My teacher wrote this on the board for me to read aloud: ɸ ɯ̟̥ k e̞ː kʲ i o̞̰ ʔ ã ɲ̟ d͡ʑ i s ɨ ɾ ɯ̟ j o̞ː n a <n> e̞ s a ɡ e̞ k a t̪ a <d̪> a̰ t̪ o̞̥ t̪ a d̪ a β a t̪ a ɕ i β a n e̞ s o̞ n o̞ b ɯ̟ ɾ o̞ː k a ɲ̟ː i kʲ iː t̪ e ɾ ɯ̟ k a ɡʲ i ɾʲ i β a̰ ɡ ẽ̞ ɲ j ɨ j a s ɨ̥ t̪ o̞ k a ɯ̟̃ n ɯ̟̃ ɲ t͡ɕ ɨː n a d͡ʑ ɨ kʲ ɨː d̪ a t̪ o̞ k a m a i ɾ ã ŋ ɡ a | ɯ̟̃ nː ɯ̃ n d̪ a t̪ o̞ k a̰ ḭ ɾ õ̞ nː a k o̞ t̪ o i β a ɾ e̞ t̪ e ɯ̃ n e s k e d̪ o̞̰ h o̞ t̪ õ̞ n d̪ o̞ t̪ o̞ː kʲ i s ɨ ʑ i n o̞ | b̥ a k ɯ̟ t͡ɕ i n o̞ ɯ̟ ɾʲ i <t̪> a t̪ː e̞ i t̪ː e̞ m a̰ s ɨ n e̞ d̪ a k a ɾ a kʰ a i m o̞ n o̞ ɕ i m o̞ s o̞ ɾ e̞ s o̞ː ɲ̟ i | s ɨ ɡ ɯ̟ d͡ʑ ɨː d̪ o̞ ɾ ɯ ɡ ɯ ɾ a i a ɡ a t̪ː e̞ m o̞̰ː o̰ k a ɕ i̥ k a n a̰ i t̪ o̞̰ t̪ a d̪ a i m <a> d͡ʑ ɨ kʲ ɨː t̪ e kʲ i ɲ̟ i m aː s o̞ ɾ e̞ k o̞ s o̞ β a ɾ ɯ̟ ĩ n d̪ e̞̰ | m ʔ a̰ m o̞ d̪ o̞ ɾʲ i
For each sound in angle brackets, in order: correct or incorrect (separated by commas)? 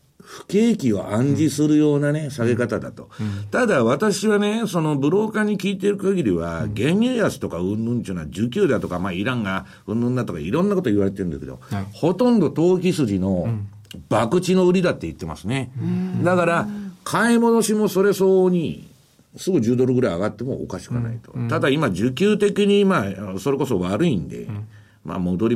correct, correct, incorrect, correct